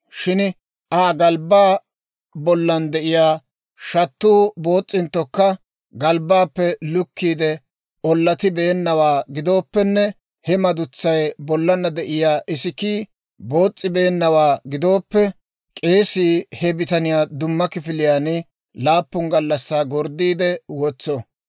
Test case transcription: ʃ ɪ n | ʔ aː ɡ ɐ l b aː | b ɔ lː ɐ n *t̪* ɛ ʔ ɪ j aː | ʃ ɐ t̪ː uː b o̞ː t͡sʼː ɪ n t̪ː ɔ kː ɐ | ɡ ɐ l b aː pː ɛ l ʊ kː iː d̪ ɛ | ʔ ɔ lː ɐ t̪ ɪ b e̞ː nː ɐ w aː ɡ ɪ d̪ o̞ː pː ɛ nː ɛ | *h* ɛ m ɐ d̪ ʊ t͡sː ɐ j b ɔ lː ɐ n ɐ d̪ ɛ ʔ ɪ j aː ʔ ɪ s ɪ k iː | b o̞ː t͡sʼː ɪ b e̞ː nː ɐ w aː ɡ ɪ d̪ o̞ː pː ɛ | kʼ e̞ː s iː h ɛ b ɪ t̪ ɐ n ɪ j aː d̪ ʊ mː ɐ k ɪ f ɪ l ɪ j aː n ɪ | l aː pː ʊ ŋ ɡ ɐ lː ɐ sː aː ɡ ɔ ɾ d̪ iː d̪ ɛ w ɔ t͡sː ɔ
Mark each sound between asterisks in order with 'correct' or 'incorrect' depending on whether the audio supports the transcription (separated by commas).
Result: incorrect, correct